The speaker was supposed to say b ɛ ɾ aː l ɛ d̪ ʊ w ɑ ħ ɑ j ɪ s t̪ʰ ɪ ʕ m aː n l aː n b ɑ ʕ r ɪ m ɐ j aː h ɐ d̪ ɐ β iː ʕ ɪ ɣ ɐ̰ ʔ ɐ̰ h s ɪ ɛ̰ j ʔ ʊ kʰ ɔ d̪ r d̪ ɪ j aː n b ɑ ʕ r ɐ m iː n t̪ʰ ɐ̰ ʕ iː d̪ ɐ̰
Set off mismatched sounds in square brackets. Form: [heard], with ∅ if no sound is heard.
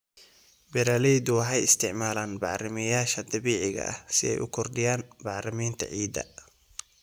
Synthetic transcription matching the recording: b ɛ ɾ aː l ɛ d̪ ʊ w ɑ ħ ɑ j ɪ s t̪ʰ ɪ ʕ m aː [∅] l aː n b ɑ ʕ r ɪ m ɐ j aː [ʃ] ɐ d̪ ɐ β iː ʕ ɪ ɣ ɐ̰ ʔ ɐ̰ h s ɪ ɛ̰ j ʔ ʊ kʰ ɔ [∅] r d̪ ɪ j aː n b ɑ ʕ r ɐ m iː n t̪ʰ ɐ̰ ʕ iː d̪ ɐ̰